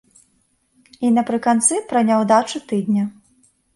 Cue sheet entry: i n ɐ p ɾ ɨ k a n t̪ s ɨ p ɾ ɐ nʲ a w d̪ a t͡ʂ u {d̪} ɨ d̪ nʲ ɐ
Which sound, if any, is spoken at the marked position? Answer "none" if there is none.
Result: t̪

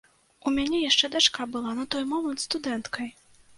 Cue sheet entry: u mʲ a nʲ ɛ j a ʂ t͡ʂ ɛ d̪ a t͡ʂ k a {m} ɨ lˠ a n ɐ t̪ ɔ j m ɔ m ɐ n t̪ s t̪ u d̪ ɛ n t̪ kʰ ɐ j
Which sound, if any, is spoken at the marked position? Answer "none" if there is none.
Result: b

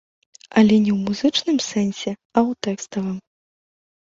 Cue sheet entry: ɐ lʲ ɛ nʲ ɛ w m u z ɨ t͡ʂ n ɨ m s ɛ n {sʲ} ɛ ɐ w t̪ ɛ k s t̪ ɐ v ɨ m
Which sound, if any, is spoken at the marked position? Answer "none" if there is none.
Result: sʲ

